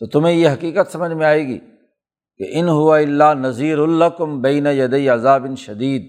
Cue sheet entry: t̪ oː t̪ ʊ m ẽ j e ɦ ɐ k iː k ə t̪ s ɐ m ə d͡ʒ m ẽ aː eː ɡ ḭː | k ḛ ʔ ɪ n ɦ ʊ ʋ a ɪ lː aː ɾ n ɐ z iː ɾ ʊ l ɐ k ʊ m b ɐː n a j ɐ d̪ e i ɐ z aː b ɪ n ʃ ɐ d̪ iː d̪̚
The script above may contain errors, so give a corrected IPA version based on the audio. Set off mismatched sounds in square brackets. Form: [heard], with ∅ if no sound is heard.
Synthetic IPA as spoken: t̪ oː t̪ ʊ m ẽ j e ɦ ɐ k iː k ə t̪ s ɐ m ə d͡ʒ m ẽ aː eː ɡ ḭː | k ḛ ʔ ɪ n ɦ ʊ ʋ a ɪ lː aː [∅] n ɐ z iː ɾ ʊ l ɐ k ʊ m b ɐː n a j ɐ d̪ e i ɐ z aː b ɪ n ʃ ɐ d̪ iː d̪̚